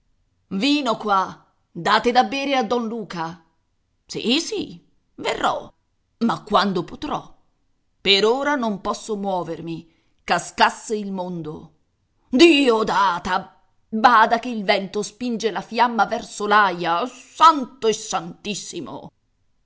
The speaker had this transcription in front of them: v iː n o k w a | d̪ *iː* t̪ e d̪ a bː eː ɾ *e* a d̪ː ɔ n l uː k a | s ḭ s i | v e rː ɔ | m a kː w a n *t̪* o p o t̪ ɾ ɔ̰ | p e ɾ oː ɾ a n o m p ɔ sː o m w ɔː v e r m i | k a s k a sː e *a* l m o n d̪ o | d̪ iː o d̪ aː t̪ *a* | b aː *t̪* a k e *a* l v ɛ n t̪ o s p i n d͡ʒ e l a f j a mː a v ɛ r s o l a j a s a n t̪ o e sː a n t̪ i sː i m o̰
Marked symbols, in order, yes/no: no, yes, no, no, yes, no, no

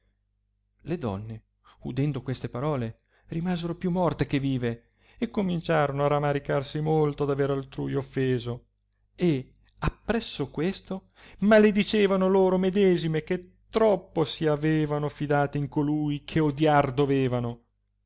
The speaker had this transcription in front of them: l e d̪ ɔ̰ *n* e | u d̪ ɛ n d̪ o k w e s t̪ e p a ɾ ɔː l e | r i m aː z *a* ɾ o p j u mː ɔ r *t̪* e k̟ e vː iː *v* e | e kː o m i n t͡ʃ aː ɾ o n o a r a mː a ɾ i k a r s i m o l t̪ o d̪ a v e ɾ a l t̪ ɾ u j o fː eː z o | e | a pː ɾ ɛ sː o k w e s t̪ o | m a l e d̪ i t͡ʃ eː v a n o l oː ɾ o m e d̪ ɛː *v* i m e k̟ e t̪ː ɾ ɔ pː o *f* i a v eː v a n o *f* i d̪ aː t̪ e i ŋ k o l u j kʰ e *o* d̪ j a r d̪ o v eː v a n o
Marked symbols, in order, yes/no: no, no, yes, yes, no, no, yes, yes

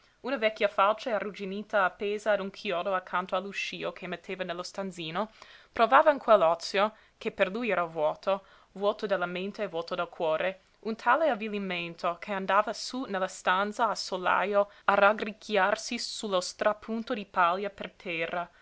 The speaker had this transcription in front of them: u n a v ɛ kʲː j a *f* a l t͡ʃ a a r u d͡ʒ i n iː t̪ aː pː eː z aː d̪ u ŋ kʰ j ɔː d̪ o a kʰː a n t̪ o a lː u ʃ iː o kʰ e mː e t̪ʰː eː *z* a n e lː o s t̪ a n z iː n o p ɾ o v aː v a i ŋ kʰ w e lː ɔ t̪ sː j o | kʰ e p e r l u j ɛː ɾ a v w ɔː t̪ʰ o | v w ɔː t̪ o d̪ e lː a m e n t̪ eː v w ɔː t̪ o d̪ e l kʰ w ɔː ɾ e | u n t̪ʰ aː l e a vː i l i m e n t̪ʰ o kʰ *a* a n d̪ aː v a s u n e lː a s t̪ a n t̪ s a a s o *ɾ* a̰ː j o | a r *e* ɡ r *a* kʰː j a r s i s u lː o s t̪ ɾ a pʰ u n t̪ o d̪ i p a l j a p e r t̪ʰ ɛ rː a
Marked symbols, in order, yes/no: yes, no, no, no, no, no

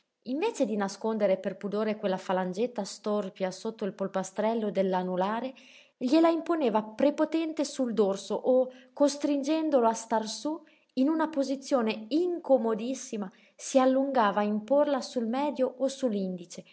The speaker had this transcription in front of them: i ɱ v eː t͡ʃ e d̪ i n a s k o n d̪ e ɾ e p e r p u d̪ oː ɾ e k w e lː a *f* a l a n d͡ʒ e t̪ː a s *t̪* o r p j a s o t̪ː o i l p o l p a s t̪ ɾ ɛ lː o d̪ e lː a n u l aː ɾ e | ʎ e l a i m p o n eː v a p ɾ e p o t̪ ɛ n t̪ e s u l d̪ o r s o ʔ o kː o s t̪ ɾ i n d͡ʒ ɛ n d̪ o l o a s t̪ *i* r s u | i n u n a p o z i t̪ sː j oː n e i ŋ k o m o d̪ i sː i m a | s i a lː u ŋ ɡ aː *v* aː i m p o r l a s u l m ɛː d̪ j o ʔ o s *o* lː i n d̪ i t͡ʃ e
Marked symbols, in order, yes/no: yes, yes, no, yes, no

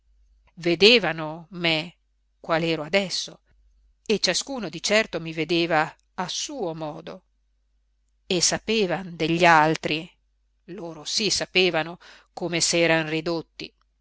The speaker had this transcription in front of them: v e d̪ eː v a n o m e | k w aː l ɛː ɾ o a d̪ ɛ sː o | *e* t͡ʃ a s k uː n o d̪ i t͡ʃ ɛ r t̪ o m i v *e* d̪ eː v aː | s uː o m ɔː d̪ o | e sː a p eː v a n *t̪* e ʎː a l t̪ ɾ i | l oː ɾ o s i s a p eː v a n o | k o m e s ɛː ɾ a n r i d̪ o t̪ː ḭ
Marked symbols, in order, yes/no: yes, yes, no

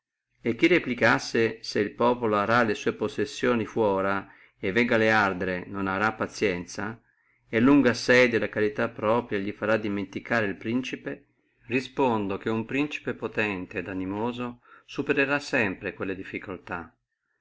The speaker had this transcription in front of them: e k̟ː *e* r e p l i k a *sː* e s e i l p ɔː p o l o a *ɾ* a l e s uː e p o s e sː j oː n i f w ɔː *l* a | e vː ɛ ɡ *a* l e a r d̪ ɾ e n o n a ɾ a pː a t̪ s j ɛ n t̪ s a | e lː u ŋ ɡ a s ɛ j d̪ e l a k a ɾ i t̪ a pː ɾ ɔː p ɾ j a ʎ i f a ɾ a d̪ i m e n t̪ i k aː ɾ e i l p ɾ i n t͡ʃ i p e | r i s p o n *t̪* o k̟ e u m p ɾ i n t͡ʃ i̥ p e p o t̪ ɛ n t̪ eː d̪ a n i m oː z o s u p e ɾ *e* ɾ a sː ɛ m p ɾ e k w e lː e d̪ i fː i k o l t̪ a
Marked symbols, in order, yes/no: no, yes, yes, no, yes, no, yes

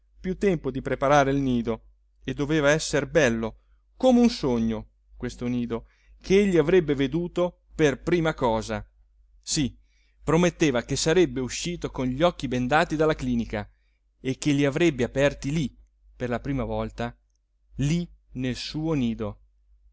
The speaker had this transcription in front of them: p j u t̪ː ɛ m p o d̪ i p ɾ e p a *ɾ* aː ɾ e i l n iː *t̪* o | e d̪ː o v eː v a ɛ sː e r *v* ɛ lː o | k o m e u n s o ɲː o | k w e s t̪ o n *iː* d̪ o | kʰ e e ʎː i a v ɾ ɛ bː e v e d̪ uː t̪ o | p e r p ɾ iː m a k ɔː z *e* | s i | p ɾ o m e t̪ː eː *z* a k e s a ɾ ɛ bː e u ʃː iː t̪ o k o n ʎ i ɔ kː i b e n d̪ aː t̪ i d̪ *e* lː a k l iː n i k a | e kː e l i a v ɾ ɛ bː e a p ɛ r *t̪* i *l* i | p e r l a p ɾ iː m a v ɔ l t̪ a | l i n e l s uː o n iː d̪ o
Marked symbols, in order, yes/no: yes, no, no, yes, no, no, no, yes, yes

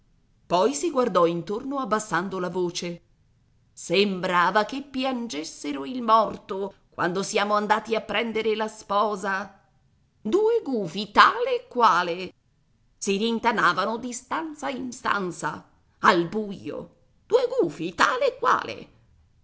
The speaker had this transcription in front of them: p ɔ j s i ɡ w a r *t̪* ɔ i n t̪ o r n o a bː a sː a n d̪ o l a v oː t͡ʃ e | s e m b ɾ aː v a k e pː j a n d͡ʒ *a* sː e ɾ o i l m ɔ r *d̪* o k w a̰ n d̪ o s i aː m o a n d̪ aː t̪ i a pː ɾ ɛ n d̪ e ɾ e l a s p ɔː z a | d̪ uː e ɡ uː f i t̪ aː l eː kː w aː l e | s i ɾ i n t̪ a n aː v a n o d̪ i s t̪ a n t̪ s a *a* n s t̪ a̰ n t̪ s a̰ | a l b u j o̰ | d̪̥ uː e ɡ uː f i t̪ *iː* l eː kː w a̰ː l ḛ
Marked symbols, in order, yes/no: no, no, no, no, no

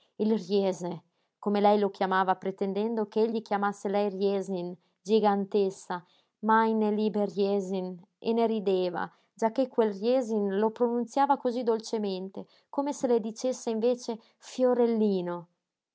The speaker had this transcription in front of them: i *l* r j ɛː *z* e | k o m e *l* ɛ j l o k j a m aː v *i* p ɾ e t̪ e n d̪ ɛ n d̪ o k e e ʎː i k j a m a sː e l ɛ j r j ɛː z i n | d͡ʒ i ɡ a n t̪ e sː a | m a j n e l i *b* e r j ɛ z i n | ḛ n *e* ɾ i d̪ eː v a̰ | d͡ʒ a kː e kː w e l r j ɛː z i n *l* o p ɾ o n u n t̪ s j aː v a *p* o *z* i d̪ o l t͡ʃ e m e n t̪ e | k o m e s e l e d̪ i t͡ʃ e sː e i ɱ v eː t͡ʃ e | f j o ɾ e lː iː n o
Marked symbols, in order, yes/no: yes, yes, yes, no, yes, yes, yes, no, yes

